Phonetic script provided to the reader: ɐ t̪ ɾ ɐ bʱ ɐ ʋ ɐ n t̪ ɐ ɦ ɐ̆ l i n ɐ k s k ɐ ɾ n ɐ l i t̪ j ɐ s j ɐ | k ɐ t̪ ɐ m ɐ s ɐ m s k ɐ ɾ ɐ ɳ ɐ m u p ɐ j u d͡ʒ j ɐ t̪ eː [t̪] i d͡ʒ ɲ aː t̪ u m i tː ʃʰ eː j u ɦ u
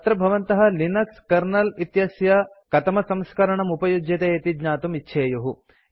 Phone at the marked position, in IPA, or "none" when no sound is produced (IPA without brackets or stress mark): t̪